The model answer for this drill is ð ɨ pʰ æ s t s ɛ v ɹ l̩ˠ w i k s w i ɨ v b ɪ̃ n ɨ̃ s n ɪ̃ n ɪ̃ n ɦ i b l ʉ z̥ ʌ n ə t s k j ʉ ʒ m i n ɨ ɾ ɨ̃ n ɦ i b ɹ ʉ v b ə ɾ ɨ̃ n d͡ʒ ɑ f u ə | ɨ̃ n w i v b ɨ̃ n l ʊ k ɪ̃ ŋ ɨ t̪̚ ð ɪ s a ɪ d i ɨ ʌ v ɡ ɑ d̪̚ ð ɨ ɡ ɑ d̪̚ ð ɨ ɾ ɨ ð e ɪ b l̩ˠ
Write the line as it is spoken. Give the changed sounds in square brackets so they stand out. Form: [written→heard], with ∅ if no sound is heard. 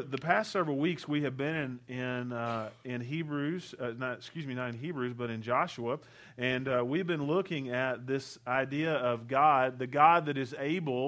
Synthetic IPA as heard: ð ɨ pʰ æ s t s ɛ v ɹ l̩ˠ w i k s w i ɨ v b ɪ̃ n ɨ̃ [s→∅] n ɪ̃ n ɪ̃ n ɦ i b [l→ɹ] ʉ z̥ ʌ n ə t s k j ʉ [ʒ→z] m i n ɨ ɾ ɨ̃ n ɦ i b ɹ ʉ [v→z] b [ə→ʌ] ɾ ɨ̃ n d͡ʒ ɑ [f→ʃ] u ə | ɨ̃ n w i v b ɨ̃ n l ʊ k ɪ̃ ŋ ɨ t̪̚ ð ɪ s a ɪ d i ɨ ʌ v ɡ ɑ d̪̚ ð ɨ ɡ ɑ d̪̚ ð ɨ ɾ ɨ [ð→z] e ɪ b l̩ˠ